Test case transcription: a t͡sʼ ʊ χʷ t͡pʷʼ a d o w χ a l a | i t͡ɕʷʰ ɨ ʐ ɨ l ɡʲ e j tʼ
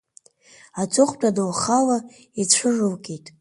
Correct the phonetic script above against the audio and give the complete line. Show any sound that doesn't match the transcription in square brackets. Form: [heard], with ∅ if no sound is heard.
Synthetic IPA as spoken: a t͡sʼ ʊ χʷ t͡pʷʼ a d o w χ a l a | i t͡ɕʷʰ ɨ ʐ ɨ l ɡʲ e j tʼ